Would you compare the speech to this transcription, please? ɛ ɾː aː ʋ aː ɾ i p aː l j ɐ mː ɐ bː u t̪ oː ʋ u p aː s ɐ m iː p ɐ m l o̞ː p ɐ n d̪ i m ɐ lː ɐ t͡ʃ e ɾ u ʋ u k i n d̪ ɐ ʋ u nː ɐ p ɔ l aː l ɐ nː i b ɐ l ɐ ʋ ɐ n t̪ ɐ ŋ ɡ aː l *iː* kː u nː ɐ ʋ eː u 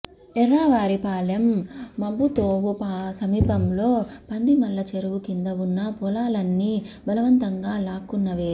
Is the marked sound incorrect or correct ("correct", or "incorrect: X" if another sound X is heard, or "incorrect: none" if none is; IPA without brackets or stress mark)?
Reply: incorrect: aː